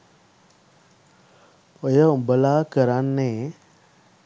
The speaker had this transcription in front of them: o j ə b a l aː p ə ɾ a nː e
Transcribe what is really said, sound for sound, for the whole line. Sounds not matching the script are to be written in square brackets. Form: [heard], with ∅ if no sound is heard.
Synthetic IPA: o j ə b [ə] l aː [k] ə ɾ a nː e